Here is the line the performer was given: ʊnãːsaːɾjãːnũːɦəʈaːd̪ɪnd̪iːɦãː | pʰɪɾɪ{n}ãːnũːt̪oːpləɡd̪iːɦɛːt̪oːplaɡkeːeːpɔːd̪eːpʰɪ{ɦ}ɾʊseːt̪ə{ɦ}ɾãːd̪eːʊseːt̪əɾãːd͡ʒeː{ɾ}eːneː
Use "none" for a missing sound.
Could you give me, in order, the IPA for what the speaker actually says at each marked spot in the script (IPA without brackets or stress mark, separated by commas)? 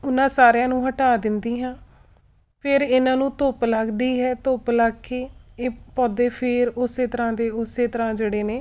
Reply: n, none, none, ɽ